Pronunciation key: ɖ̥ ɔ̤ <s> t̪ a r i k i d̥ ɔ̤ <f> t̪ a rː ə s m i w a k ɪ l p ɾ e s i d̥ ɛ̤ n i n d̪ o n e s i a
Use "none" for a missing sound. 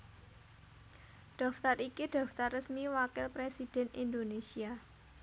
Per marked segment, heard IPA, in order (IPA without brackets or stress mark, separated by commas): f, f